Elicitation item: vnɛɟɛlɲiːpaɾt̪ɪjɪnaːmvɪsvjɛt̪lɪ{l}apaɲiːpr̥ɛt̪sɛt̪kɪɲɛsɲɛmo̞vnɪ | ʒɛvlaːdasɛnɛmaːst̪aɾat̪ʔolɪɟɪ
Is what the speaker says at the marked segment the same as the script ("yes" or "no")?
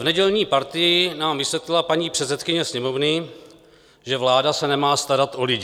yes